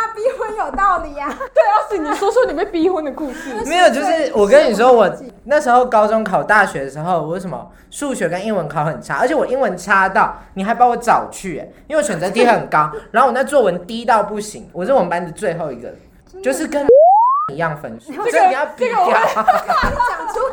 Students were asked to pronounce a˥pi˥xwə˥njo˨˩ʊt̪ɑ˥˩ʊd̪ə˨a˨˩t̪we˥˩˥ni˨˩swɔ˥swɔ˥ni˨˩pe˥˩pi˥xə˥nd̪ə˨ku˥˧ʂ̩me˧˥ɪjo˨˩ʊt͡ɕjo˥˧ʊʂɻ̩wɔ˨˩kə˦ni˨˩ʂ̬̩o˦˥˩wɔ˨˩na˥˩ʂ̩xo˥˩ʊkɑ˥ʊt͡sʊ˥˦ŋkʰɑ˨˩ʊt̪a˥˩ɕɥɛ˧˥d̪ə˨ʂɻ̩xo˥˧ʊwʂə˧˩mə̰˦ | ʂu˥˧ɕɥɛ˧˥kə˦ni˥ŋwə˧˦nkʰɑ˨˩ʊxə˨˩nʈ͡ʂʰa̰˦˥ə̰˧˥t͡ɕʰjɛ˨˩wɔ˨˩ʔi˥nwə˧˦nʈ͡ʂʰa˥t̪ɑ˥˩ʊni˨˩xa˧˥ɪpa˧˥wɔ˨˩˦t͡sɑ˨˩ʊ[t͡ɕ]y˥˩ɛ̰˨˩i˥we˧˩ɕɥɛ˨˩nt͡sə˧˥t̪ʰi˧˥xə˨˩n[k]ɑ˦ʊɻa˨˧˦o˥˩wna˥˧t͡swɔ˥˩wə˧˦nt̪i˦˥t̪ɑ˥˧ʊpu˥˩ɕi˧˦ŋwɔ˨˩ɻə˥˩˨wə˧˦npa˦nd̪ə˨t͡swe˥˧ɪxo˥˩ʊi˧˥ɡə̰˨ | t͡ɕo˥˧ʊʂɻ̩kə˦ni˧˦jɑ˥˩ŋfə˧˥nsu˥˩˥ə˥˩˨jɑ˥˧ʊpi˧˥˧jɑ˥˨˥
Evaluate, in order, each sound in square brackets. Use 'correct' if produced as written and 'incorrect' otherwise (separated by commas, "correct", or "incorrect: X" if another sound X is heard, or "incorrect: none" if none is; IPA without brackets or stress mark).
incorrect: t͡ɕʰ, correct